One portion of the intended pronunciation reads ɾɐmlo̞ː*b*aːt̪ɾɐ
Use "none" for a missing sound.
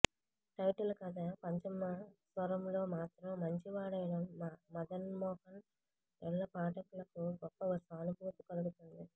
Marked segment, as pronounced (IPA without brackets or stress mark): m